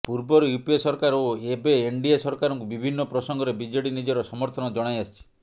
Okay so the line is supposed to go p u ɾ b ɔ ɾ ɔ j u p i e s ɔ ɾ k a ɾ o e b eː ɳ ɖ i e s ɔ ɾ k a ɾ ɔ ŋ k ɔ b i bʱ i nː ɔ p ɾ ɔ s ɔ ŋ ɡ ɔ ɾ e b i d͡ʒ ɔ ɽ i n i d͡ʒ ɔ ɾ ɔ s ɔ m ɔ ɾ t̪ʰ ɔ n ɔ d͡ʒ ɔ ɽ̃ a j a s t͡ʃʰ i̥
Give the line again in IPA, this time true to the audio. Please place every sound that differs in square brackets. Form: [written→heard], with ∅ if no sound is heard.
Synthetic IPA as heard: p u ɾ b ɔ ɾ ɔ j u p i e s ɔ ɾ k a ɾ o e b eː ɳ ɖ i e s ɔ ɾ k a ɾ ɔ ŋ k [ɔ→u] b i bʱ i nː ɔ p ɾ ɔ s ɔ ŋ ɡ ɔ ɾ e b i d͡ʒ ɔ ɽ i n i d͡ʒ ɔ ɾ ɔ s ɔ m ɔ ɾ t̪ʰ ɔ n ɔ d͡ʒ ɔ ɽ̃ a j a s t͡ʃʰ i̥